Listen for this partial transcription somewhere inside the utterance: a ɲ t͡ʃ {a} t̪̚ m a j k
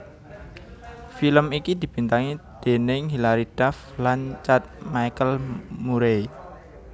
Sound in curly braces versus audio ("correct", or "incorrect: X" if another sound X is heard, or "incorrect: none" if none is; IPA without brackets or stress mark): correct